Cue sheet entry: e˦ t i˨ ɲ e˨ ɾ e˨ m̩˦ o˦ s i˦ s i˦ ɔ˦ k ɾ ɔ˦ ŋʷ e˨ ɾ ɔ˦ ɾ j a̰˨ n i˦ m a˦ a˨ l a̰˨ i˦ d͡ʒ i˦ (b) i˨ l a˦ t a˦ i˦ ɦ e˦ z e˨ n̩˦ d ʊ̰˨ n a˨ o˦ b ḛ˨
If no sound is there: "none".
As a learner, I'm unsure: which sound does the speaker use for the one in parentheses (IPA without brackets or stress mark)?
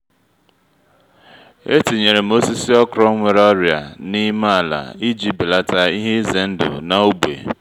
b